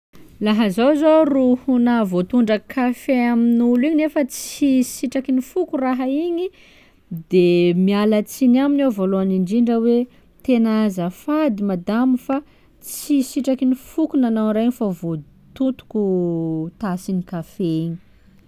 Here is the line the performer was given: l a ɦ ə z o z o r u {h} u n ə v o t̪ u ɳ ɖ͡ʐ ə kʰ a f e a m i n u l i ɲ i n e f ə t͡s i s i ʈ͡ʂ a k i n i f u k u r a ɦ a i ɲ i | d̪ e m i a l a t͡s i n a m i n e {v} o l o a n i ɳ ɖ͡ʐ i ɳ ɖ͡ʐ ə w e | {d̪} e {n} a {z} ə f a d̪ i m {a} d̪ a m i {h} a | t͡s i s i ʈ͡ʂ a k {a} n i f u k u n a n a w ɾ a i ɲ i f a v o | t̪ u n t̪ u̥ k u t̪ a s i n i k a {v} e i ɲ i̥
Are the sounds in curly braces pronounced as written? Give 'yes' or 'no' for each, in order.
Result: yes, yes, no, yes, yes, yes, no, no, no

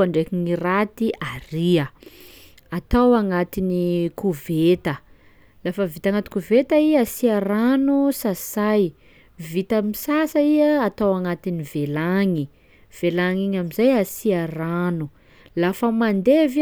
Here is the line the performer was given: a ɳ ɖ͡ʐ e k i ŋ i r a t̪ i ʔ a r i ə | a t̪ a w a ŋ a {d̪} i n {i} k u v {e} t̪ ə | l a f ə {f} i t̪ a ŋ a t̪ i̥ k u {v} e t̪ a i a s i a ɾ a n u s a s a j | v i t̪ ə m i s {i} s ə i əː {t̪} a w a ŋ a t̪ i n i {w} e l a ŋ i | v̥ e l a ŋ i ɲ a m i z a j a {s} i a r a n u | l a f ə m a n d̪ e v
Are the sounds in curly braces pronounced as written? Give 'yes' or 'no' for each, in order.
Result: no, yes, yes, no, yes, no, yes, no, yes

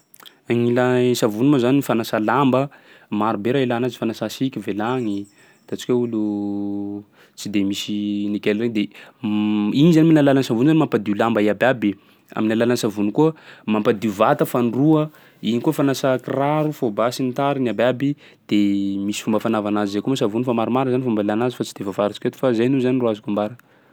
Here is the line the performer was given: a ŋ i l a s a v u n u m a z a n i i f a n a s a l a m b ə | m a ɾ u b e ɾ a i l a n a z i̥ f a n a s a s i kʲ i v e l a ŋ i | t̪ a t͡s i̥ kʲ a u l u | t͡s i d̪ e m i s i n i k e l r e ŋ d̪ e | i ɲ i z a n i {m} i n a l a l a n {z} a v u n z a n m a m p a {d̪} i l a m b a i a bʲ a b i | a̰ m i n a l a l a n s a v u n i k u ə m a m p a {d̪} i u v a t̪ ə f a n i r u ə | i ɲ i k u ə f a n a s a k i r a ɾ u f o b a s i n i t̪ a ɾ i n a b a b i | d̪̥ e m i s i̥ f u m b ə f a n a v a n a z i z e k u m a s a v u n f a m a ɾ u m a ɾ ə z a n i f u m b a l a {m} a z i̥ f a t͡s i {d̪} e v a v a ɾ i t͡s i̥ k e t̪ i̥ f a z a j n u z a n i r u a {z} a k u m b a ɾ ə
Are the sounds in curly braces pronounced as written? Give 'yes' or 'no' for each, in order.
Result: yes, no, yes, yes, no, yes, yes

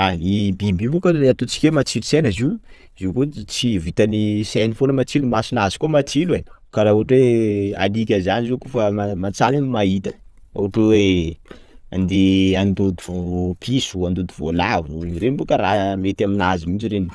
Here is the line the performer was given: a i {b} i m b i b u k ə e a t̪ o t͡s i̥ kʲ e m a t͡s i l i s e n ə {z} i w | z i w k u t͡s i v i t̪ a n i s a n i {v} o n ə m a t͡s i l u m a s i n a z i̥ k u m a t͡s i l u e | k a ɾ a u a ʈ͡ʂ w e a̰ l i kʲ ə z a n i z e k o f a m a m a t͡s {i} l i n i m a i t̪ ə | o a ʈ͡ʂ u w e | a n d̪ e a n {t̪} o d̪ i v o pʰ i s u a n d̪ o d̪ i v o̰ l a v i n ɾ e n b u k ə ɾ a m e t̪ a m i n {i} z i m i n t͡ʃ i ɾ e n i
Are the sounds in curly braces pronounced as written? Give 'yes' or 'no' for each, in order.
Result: yes, yes, no, no, no, no

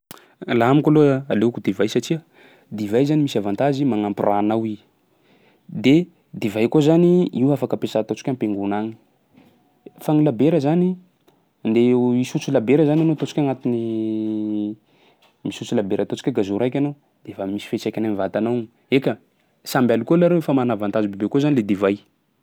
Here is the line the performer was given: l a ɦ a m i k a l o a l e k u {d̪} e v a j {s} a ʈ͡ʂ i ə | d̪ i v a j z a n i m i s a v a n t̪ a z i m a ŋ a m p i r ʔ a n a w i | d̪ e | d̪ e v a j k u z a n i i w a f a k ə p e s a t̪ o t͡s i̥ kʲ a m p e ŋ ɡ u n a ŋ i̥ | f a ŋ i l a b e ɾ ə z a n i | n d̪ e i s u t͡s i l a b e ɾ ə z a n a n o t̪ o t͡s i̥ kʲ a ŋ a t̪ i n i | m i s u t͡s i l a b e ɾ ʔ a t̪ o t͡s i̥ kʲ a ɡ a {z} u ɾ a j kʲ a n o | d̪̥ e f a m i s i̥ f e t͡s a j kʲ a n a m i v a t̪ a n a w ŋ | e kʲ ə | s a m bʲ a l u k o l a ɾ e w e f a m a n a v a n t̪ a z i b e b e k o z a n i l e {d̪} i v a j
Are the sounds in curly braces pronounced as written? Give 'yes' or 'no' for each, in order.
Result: yes, yes, yes, yes

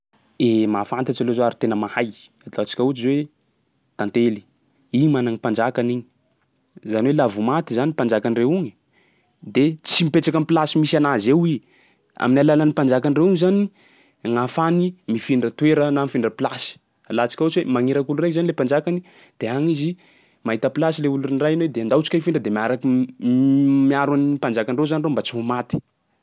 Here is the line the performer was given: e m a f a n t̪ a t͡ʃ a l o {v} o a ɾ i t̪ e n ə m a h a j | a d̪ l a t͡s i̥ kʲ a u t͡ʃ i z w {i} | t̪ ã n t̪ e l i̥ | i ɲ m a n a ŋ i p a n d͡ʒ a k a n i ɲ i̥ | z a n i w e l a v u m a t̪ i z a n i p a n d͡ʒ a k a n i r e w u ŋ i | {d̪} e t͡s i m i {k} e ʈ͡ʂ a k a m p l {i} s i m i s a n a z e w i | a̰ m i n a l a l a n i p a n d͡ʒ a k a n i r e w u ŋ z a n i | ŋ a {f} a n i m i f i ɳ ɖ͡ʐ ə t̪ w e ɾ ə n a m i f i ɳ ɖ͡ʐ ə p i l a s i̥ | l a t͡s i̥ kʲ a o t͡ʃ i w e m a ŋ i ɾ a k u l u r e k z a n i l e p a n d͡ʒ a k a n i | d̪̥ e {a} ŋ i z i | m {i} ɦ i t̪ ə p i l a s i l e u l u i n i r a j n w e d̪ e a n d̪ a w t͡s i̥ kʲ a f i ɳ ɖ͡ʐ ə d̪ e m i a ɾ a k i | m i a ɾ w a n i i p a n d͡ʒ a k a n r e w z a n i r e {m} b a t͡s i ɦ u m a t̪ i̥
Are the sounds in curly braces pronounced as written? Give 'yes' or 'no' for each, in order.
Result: no, no, yes, no, no, yes, yes, no, yes

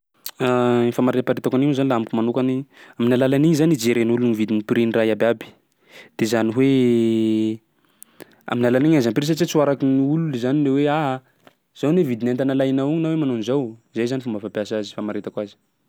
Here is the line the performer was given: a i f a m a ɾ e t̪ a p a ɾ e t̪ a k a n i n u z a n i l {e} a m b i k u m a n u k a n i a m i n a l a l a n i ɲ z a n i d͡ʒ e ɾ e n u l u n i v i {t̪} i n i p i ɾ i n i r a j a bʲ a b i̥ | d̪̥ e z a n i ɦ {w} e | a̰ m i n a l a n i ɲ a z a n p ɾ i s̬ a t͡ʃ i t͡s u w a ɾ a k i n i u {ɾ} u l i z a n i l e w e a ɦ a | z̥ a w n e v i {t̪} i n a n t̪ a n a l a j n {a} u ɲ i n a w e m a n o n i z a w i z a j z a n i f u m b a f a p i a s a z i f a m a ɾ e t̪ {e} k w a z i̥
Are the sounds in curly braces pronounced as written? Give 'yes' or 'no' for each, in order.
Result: no, no, yes, no, no, yes, no

